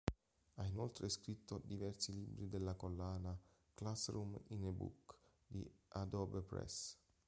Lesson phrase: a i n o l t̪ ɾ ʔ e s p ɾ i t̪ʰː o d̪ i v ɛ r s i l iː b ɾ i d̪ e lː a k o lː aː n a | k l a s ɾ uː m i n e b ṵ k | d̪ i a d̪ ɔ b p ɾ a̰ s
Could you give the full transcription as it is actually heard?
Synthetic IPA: a i n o l t̪ ɾ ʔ e s k ɾ i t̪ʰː o d̪ i v ɛ r s i l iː b ɾ i d̪ e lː a k o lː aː n a | k l a s ɾ u m i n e b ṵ k | d̪ i a d̪ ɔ b p ɾ ɛ̰ s